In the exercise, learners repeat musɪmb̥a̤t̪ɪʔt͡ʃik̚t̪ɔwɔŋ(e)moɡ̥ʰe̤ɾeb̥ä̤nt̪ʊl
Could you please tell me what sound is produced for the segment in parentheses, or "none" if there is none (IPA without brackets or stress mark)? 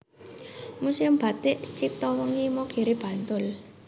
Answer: i